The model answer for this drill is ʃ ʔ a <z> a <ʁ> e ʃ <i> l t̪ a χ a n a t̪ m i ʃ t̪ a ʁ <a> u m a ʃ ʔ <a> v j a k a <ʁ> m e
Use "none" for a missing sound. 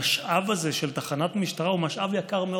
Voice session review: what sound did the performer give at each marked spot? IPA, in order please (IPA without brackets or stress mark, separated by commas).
v, z, e, a, a, ʁ